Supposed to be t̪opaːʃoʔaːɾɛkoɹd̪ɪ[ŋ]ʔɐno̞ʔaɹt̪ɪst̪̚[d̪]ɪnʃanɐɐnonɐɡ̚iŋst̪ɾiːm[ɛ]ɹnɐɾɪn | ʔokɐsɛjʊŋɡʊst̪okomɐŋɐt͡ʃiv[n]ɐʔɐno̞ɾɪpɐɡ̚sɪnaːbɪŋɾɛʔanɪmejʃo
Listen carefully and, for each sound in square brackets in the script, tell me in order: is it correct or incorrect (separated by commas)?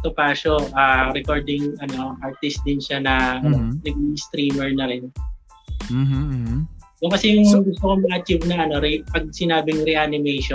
correct, correct, correct, correct